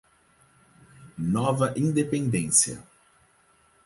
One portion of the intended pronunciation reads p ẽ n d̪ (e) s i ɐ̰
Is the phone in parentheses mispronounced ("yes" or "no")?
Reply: yes